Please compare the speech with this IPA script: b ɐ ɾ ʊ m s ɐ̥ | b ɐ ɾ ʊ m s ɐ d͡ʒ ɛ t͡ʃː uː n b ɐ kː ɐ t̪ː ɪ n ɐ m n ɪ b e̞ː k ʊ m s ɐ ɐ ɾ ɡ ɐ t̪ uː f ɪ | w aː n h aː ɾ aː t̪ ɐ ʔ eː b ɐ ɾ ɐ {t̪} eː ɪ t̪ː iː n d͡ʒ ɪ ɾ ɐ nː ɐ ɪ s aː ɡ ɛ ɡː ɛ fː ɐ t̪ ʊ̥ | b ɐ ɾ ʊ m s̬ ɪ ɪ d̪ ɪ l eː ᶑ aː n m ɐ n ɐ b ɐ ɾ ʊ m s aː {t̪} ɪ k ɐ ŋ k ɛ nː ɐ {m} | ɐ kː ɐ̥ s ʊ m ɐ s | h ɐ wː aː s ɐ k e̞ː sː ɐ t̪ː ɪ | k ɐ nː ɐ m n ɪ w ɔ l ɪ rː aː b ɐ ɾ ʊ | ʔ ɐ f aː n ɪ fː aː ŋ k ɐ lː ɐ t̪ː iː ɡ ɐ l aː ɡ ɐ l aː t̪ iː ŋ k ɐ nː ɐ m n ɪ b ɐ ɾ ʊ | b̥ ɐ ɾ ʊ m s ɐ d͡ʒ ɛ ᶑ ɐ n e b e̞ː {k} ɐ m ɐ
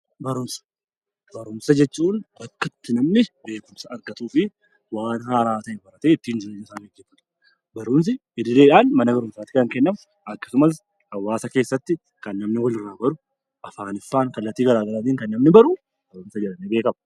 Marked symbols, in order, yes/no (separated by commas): yes, yes, yes, yes